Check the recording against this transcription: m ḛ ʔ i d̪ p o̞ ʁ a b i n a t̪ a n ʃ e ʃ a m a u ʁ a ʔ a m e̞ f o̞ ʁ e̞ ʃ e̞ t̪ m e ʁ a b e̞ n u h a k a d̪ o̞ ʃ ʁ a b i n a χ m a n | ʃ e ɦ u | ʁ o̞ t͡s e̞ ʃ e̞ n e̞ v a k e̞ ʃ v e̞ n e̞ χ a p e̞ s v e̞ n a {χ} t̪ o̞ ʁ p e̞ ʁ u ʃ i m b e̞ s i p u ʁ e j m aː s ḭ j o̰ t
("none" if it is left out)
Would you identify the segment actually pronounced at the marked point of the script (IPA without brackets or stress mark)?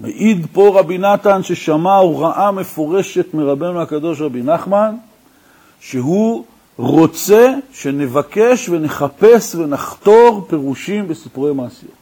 χ